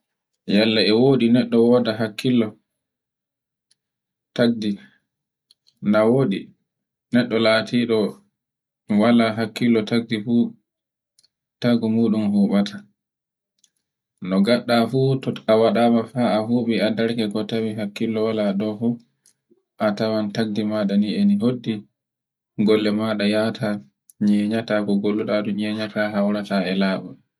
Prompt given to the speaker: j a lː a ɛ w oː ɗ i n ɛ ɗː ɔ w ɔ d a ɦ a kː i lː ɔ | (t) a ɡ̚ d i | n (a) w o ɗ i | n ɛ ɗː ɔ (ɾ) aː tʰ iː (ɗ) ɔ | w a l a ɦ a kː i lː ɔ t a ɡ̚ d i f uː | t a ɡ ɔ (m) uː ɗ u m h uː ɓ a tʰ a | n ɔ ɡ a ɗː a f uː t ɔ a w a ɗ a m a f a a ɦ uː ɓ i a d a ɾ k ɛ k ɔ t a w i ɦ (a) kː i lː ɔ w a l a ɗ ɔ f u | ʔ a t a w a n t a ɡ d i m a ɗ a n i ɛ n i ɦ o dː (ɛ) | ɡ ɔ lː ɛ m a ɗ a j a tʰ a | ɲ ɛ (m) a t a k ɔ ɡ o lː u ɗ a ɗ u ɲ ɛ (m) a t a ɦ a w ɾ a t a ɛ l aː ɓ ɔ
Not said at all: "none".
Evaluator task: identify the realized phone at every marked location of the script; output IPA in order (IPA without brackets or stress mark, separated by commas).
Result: t, a, l, ɗ, m, a, i, ɲ, ɲ